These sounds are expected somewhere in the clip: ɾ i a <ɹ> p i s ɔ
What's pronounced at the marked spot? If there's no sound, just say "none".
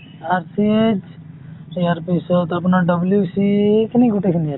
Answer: ɾ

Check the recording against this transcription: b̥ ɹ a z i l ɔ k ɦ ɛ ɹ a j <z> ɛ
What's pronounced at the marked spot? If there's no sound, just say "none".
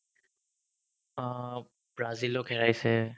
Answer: s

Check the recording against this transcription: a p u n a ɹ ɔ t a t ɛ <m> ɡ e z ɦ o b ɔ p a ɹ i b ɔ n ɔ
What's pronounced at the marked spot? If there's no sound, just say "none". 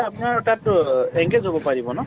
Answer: ŋ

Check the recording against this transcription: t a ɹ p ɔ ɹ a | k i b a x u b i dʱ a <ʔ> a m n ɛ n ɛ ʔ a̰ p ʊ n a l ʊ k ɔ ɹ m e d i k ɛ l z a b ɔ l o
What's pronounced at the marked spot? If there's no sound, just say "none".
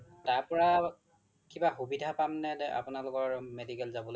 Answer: p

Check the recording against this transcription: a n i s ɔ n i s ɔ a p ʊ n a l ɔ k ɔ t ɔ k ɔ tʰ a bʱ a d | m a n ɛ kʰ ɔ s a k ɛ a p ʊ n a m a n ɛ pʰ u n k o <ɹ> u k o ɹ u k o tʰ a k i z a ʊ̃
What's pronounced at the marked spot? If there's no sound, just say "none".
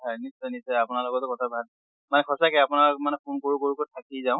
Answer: ɹ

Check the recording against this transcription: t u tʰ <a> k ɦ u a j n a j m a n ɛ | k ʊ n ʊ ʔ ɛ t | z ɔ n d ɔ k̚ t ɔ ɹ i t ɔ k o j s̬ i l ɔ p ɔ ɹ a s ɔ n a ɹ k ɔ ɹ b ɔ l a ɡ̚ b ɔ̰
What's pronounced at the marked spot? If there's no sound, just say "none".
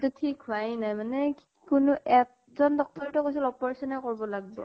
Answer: i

